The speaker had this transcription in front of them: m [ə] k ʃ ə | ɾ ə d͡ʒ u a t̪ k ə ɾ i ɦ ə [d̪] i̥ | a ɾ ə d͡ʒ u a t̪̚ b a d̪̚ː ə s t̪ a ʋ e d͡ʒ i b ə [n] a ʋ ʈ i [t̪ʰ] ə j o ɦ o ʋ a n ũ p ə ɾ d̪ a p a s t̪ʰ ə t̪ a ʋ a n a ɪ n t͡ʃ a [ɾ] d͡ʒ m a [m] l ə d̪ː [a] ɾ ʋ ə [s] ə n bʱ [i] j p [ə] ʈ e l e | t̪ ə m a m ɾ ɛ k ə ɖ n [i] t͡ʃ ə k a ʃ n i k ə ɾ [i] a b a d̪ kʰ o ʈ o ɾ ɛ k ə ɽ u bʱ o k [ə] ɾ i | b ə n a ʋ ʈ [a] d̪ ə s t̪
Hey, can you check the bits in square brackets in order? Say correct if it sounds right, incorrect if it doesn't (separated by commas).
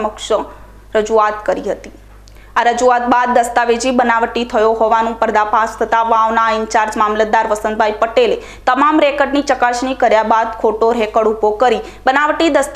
correct, incorrect, correct, correct, correct, correct, correct, correct, incorrect, correct, correct, incorrect, correct, incorrect